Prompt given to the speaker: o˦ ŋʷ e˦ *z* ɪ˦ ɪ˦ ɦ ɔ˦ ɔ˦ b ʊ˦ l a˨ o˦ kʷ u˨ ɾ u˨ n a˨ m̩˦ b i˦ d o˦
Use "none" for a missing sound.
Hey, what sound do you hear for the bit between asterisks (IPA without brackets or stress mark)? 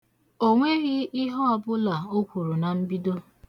ɣ